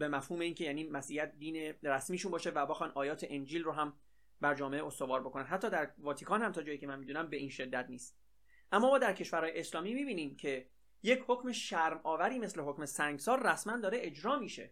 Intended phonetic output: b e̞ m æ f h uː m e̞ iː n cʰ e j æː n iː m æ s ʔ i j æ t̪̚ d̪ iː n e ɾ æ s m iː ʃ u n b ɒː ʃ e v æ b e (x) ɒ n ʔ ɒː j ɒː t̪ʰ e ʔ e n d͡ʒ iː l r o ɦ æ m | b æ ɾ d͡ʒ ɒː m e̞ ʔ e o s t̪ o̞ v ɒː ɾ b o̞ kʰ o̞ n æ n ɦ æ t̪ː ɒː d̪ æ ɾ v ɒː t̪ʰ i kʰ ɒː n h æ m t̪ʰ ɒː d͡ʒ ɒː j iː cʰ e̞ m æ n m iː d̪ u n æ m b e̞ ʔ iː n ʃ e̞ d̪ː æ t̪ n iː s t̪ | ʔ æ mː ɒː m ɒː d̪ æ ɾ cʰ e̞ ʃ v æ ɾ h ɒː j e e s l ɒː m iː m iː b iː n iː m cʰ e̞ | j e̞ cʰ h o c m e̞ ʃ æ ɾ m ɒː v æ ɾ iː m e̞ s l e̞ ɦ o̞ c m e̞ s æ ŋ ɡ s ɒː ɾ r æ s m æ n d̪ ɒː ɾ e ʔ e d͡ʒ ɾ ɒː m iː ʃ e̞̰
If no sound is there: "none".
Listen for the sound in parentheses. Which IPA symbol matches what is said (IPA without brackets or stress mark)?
x